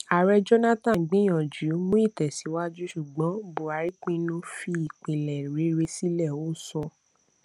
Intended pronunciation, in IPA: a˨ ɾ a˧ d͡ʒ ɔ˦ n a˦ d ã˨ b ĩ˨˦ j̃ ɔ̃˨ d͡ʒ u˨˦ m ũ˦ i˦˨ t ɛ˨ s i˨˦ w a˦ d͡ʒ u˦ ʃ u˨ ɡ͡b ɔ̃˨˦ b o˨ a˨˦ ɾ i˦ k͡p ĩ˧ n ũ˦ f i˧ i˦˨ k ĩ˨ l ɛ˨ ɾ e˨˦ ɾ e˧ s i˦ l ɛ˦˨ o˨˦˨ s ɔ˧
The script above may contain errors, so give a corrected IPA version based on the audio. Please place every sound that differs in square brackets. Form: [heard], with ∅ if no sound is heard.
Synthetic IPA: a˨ ɾ [ɛ˧] d͡ʒ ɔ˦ n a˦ [t] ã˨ [ɡ͡b] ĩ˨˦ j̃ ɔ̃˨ d͡ʒ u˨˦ m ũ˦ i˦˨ t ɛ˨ s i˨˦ w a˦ d͡ʒ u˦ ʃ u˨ ɡ͡b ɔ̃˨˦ b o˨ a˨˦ ɾ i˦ k͡p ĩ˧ n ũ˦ f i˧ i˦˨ [k͡p] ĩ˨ l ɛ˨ ɾ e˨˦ ɾ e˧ s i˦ l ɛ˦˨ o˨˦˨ s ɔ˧